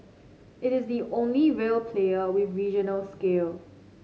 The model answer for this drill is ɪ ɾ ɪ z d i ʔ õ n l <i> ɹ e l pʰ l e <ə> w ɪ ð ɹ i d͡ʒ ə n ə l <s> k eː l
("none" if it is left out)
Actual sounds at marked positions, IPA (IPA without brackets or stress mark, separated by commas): i, ə, s